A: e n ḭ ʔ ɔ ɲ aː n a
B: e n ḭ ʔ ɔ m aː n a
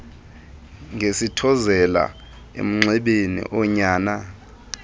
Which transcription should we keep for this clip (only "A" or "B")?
A